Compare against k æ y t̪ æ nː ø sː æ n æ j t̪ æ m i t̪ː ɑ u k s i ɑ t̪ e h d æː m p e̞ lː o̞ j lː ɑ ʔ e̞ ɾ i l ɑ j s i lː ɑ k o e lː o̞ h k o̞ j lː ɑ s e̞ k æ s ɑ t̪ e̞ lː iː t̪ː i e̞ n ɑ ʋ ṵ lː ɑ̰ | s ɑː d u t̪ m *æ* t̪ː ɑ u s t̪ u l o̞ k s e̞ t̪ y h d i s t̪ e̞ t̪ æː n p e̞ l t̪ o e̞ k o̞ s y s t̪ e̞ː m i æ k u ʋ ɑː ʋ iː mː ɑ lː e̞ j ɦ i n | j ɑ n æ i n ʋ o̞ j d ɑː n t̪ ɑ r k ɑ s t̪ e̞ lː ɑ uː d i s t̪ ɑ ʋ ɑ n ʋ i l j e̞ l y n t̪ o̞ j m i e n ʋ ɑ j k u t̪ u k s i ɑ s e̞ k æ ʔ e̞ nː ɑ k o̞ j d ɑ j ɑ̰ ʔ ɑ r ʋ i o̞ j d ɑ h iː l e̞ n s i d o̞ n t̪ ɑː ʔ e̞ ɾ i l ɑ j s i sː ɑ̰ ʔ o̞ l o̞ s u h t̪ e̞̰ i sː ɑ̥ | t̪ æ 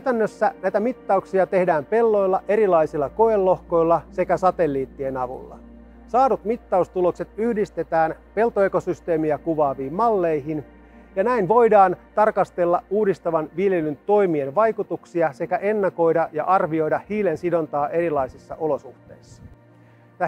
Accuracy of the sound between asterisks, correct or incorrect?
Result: incorrect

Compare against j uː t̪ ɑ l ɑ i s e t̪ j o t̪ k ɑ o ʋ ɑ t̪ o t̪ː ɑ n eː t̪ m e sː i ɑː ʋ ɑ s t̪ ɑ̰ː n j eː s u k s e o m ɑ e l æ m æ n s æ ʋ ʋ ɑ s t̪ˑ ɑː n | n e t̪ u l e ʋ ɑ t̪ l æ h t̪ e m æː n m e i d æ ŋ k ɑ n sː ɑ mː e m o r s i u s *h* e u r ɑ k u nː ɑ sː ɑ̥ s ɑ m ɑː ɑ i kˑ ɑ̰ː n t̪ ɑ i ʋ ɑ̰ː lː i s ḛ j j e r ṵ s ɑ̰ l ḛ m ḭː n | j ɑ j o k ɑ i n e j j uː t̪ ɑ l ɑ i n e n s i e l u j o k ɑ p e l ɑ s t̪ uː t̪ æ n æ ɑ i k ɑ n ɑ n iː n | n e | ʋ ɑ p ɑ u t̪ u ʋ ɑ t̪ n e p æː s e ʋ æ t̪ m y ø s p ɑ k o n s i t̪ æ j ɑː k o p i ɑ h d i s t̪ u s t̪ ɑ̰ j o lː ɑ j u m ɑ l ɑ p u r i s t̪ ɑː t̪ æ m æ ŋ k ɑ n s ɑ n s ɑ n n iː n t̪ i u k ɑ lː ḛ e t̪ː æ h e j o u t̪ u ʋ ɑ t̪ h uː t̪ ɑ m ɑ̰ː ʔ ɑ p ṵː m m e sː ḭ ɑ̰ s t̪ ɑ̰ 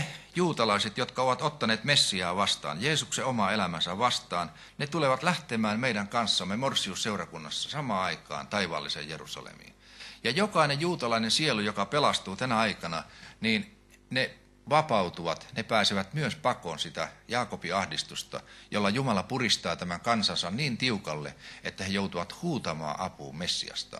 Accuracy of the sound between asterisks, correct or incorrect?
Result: incorrect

